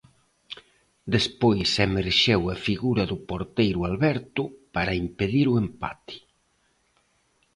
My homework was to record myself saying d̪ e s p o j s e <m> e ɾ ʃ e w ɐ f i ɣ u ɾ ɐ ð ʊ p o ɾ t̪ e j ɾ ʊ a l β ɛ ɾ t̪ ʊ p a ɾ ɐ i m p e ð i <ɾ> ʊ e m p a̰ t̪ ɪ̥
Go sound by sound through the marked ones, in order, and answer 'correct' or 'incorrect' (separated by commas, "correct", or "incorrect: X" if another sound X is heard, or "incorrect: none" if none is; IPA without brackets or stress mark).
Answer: correct, correct